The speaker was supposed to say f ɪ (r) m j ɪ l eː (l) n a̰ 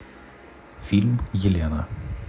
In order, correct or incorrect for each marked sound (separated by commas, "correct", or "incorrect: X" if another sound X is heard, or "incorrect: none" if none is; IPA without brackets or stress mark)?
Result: incorrect: l, incorrect: none